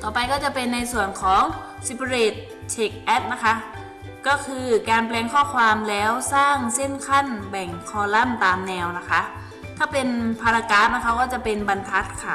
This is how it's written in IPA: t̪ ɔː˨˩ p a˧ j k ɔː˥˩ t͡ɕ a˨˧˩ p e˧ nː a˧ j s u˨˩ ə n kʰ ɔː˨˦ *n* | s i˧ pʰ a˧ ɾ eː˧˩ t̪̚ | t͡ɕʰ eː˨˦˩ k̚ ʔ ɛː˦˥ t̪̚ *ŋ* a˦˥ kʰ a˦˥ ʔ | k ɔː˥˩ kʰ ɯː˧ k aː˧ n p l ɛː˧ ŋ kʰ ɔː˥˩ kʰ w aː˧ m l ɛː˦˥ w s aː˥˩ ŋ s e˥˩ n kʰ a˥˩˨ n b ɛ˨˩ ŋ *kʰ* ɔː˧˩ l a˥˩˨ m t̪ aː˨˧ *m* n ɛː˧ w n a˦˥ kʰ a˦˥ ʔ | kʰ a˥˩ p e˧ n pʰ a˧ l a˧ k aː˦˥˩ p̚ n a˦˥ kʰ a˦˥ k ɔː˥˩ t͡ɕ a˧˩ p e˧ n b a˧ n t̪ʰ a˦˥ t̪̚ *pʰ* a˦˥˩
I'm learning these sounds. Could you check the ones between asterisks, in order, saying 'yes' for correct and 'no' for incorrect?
no, no, yes, yes, no

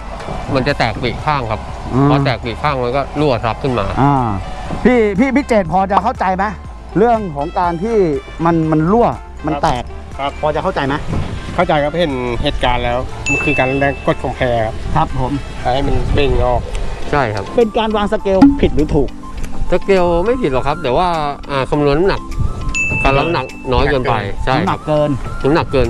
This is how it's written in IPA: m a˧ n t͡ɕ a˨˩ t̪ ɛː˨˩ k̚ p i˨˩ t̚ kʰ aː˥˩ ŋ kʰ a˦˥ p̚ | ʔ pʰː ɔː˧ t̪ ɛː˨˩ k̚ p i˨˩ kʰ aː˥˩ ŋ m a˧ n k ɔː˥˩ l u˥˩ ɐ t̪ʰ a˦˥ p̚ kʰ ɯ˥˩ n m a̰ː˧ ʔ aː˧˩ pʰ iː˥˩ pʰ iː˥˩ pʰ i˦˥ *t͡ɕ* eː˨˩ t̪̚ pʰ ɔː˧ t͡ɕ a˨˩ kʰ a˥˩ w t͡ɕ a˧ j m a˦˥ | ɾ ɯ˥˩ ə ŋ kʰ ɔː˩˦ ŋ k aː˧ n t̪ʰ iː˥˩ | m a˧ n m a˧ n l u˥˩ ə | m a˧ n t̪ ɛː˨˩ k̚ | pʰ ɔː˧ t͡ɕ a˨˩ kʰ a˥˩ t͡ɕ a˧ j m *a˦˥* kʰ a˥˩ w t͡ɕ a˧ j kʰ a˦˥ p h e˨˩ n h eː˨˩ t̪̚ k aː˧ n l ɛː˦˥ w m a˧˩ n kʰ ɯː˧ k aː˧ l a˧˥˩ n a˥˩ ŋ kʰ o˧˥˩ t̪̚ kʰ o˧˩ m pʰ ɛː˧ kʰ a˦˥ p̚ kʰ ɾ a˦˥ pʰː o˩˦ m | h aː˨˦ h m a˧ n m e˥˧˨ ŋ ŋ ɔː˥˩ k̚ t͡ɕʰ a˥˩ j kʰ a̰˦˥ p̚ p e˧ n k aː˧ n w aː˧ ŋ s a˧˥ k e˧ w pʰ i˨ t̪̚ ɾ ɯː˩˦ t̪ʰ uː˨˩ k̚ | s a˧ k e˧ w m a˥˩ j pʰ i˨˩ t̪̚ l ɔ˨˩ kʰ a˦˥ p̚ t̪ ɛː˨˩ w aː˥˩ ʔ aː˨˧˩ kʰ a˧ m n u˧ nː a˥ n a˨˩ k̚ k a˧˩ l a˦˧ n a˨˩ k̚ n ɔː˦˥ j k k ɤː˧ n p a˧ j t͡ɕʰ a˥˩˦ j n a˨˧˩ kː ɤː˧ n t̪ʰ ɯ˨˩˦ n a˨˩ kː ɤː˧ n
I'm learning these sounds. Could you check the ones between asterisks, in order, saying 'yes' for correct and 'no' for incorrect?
yes, yes

